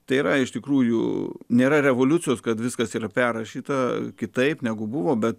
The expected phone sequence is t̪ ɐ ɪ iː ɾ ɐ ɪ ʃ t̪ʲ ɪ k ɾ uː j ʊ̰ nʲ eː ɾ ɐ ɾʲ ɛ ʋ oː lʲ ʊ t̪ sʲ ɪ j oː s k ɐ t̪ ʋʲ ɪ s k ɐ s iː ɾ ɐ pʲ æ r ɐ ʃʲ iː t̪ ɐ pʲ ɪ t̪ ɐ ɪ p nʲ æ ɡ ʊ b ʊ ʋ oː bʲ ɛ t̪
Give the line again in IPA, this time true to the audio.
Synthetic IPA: t̪ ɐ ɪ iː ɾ ɐ ɪ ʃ t̪ʲ ɪ k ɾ uː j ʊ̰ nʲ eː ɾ ɐ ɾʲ ɛ ʋ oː lʲ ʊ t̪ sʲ ɪ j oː s k ɐ t̪ ʋʲ ɪ s k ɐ s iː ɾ ɐ pʲ æ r ɐ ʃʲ iː t̪ ɐ kʲ ɪ t̪ ɐ ɪ p nʲ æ ɡ ʊ b ʊ ʋ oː bʲ ɛ t̪